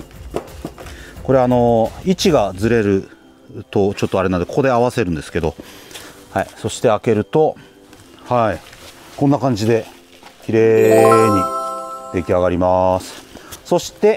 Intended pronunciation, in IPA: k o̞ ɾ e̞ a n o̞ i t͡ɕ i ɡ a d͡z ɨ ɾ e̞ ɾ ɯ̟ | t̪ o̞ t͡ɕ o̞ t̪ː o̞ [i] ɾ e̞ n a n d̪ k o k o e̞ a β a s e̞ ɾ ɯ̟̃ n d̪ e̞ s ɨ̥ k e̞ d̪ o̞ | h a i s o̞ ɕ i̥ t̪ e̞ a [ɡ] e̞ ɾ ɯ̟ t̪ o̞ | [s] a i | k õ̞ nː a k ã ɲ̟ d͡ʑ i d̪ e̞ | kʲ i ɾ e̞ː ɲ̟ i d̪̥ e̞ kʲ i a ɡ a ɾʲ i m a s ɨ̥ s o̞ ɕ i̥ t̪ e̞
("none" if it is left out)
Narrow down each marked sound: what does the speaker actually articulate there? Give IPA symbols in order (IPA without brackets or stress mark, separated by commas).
a, k, h